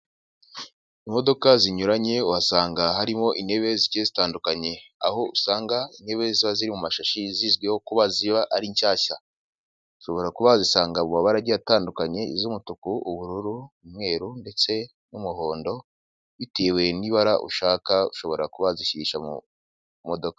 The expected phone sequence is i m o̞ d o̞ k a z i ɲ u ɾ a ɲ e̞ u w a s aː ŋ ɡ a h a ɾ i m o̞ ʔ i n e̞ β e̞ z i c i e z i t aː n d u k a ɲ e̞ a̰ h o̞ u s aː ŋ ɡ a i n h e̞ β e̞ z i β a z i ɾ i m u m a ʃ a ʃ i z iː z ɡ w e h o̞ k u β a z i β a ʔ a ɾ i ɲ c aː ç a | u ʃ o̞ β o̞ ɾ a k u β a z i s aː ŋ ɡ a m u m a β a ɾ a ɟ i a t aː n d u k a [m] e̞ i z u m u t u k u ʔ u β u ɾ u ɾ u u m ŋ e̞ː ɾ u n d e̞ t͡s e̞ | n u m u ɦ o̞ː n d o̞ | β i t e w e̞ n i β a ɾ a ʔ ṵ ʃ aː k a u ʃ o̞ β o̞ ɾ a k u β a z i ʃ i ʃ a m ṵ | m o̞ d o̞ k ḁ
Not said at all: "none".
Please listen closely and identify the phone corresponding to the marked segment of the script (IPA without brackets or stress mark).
ɲ